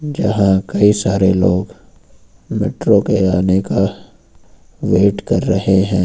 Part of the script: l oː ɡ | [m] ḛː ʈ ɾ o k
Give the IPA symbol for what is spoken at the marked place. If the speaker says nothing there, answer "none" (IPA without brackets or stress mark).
m